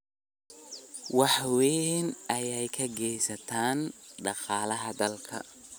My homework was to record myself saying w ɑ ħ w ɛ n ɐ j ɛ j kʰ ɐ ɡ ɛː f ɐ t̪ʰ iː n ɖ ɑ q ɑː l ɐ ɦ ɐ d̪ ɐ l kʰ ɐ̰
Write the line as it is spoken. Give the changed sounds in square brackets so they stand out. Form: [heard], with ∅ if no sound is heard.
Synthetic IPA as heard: w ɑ ħ w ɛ n ɐ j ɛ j kʰ ɐ ɡ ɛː [s] ɐ t̪ʰ [aː] n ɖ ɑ q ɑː l ɐ ɦ ɐ d̪ ɐ l kʰ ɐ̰